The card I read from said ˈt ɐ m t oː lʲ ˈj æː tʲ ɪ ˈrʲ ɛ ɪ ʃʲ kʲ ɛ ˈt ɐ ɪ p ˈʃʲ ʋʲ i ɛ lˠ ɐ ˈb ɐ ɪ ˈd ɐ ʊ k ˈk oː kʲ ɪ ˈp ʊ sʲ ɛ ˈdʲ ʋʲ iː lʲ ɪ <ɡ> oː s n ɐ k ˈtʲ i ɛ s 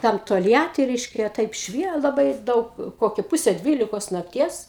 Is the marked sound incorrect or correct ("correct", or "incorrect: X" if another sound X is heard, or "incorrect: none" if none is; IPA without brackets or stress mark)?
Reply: incorrect: k